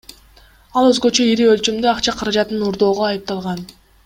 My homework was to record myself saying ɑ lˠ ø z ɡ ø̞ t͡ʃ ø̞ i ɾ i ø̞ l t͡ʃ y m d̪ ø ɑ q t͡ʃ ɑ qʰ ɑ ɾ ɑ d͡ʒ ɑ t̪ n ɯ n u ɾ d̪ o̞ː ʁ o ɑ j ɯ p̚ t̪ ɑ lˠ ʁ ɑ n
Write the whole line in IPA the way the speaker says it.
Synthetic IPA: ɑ lˠ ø z ɡ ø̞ t͡ʃ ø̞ i ɾ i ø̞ l t͡ʃ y m d̪ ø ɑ q t͡ʃ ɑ qʰ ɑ ɾ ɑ d͡ʒ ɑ t̪ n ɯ n u ɾ d̪ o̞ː ʁ o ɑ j ɯ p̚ t̪ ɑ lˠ ʁ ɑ n